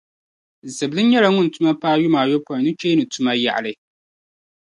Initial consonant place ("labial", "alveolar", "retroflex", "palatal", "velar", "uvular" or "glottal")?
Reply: alveolar